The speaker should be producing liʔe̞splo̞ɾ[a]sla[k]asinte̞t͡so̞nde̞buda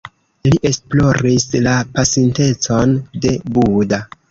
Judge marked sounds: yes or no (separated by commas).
no, no